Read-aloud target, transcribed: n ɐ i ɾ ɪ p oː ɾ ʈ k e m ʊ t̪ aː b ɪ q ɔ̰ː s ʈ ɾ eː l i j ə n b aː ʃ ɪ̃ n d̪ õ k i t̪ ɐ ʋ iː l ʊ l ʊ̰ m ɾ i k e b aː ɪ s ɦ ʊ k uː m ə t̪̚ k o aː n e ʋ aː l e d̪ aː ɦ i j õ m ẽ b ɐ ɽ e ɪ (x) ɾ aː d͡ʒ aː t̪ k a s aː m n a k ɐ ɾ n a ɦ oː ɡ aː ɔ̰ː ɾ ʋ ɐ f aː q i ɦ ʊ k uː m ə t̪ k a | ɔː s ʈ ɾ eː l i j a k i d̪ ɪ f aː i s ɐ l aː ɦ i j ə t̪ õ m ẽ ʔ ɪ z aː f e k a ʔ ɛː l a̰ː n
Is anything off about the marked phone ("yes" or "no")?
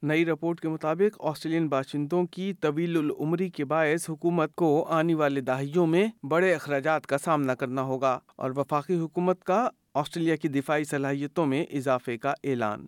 no